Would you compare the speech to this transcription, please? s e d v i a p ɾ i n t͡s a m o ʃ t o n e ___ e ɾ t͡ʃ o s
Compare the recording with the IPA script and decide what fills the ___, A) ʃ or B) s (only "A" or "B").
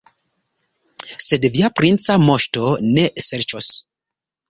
B